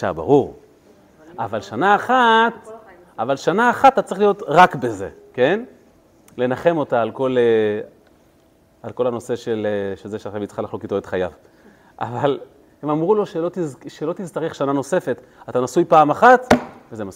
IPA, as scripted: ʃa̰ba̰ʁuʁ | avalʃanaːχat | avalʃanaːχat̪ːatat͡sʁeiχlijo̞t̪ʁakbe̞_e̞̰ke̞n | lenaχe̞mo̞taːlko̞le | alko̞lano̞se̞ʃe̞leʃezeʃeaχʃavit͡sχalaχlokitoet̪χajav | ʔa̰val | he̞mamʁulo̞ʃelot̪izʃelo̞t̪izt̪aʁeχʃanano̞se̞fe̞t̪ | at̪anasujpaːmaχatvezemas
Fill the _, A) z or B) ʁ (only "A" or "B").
A